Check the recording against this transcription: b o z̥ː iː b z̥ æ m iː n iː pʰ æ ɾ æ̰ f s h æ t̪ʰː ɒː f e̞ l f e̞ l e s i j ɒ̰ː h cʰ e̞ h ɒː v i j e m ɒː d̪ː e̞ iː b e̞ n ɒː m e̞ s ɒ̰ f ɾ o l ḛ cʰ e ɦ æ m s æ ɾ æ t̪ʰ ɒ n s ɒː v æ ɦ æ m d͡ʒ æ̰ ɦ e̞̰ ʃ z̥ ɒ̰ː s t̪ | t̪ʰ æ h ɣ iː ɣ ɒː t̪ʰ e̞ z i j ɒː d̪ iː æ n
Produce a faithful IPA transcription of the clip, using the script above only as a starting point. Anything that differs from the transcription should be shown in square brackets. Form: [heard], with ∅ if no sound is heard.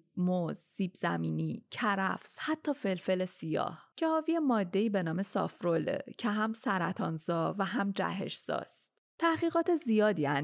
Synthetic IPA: [m] o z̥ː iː b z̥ æ m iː n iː [cʰ] æ ɾ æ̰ f s h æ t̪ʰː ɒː f e̞ l f e̞ l e s i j ɒ̰ː h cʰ e̞ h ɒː v i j e m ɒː d̪ː e̞ iː b e̞ n ɒː m e̞ s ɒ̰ f ɾ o l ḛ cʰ e ɦ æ m s æ ɾ æ t̪ʰ ɒ n [z] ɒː v æ ɦ æ m d͡ʒ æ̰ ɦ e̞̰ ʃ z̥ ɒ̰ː s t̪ | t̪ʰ æ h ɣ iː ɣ ɒː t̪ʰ e̞ z i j ɒː d̪ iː æ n